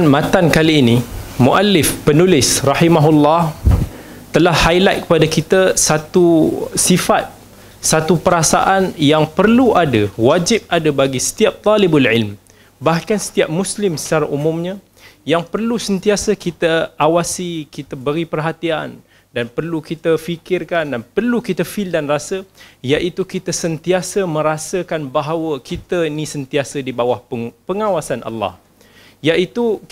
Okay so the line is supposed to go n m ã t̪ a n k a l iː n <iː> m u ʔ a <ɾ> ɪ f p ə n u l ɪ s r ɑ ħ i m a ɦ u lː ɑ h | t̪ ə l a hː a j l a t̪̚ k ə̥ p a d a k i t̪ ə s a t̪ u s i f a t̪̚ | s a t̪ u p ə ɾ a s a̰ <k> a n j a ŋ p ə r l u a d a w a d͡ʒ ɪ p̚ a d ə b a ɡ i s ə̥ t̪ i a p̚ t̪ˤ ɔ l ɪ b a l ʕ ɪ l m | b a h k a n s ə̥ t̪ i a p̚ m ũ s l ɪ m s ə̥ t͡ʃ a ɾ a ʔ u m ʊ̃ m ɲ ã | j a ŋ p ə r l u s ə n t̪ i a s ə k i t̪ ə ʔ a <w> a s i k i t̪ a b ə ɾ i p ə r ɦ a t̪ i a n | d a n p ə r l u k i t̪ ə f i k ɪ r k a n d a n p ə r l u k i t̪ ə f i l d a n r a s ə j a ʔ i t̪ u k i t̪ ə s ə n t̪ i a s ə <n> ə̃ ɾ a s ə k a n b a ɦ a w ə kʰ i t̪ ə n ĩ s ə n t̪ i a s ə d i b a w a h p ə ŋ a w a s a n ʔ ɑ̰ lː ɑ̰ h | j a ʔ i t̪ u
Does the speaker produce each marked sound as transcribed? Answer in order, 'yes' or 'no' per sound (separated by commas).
no, no, no, yes, no